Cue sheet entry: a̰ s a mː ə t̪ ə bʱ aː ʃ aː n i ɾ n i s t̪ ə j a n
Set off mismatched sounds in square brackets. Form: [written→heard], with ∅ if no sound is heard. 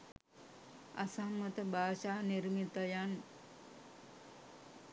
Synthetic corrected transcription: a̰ s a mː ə t̪ ə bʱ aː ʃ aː n i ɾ [n→m] i [s→∅] t̪ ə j a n